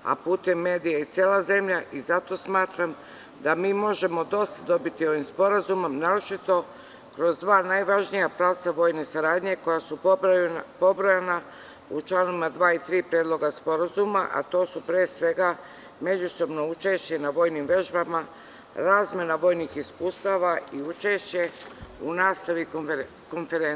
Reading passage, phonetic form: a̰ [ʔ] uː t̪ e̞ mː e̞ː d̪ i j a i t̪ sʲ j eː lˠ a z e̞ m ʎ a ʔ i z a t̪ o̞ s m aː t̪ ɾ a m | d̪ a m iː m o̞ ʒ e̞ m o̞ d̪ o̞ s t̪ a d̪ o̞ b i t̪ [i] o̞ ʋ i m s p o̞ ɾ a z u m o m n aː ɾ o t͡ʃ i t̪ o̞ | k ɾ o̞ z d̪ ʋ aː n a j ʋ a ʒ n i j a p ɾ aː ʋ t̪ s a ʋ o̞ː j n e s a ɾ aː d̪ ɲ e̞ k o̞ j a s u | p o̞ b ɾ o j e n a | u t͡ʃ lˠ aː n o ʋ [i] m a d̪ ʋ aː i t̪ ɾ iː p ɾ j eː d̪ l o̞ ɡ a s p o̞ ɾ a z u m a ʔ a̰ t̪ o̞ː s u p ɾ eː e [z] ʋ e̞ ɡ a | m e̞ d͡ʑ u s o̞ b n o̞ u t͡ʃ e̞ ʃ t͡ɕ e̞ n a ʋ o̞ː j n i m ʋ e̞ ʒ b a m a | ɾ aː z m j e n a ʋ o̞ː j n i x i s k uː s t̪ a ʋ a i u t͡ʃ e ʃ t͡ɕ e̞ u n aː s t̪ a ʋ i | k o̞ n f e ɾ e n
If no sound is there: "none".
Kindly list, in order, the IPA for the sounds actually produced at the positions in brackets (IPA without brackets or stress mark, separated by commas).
p, i, i, s